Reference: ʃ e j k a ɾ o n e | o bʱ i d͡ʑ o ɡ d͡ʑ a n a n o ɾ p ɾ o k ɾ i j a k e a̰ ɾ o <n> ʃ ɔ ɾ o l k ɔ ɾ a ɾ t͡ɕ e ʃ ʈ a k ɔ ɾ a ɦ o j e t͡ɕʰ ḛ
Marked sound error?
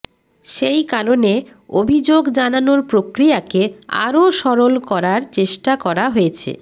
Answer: yes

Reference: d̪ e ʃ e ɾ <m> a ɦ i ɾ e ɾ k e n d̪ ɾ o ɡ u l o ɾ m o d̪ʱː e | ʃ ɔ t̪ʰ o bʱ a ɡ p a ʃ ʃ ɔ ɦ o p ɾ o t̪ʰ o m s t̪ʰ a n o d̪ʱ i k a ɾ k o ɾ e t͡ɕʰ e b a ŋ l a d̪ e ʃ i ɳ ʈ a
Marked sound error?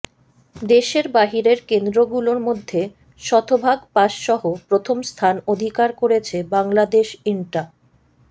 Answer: yes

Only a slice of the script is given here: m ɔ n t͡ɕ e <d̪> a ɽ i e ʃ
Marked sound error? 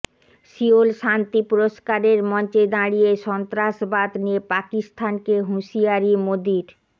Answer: no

